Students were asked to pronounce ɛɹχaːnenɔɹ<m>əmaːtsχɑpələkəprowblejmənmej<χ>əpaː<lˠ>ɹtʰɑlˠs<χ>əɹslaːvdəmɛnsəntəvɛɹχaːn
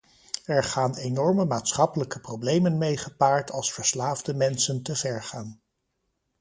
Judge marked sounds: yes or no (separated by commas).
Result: yes, yes, no, no